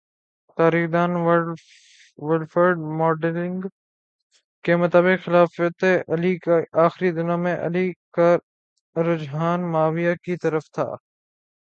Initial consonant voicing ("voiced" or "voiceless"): voiceless